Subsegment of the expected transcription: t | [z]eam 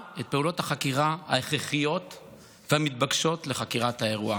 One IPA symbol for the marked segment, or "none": v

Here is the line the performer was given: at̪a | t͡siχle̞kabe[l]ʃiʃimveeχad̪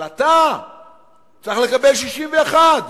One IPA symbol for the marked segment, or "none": l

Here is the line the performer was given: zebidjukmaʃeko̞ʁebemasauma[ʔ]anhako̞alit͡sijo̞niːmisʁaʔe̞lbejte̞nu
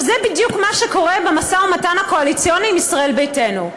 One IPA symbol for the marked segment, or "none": t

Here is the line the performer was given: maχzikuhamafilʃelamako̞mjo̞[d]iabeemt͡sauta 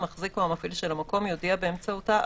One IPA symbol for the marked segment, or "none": d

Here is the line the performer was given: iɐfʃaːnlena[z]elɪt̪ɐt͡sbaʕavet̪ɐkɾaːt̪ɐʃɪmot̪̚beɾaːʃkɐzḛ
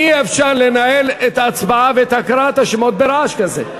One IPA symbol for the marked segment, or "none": none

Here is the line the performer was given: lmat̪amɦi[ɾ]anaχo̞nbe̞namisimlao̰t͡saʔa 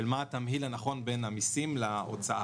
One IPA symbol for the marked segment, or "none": l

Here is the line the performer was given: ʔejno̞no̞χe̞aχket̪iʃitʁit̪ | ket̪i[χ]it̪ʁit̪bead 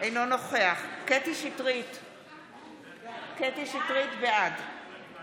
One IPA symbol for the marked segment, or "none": ʃ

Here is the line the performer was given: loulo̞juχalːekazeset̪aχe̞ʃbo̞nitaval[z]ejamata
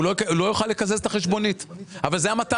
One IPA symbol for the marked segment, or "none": z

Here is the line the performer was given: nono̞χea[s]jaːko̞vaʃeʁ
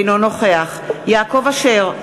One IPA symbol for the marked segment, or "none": χ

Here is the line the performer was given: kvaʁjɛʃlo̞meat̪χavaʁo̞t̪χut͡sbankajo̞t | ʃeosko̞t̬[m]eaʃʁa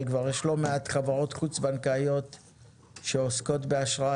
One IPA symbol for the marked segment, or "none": b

